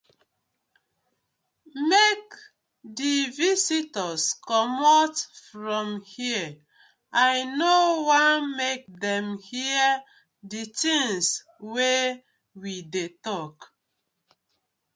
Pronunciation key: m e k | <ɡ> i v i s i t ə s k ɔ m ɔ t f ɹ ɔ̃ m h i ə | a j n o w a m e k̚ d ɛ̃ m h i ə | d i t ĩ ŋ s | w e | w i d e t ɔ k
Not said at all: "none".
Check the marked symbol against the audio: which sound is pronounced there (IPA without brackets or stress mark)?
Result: d